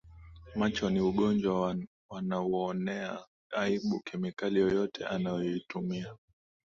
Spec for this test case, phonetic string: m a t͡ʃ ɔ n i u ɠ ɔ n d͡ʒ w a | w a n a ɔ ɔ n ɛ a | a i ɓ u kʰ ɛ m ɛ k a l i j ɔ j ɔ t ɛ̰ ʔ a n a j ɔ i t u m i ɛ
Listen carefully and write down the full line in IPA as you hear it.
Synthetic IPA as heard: m a t͡ʃ ɔ n i u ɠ ɔ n d͡ʒ w a | w a n a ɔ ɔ n ɛ a | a i ɓ u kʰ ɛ m i k a l i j ɔ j ɔ t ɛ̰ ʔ a n a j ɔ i t u m i a